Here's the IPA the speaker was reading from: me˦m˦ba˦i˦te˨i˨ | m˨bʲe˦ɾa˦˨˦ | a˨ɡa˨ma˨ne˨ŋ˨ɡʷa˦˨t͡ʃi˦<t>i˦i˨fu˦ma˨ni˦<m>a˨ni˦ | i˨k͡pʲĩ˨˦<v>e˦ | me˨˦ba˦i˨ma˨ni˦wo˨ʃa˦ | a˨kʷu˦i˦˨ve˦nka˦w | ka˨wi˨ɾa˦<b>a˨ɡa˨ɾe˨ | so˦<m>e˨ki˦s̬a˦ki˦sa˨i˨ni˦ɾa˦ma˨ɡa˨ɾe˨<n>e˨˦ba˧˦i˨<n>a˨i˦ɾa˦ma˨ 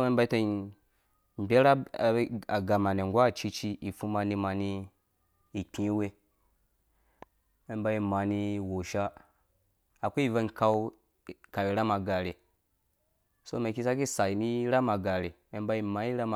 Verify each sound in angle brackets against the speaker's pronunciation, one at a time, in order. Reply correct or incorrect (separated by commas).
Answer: incorrect, correct, incorrect, incorrect, correct, incorrect, incorrect